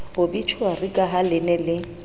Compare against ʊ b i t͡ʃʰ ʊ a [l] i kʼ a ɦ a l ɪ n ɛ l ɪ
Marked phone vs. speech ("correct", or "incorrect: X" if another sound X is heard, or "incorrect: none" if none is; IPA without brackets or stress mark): incorrect: r